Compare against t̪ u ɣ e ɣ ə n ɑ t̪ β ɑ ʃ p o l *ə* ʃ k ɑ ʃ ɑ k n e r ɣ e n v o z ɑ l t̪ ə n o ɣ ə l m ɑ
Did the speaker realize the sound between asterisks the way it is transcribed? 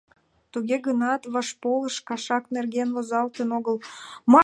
yes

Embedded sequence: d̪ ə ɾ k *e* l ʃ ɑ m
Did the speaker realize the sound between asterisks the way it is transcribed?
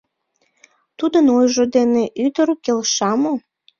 yes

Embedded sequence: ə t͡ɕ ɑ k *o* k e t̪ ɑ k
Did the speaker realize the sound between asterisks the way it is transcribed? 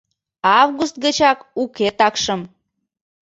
no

